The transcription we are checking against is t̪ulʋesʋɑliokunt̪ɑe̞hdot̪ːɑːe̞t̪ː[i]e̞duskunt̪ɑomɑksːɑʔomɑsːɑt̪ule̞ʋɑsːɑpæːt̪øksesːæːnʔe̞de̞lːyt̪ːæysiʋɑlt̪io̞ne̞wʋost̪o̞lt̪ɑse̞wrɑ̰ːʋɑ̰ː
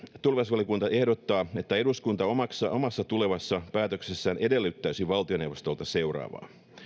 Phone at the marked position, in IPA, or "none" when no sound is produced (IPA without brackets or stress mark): æ